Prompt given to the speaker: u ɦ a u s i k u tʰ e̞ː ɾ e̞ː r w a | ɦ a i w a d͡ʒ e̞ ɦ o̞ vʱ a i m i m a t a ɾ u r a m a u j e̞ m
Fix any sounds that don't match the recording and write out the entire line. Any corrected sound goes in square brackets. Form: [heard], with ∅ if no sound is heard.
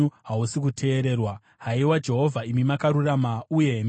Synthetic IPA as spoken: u ɦ a u s i k u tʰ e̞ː ɾ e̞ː r w a | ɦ a i w a d͡ʒ e̞ ɦ o̞ vʱ a i m i m a [k] a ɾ u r a m a u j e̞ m